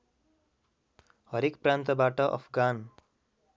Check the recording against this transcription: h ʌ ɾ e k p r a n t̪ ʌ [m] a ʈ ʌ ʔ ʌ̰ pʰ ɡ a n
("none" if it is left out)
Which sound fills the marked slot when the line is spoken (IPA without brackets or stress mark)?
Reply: b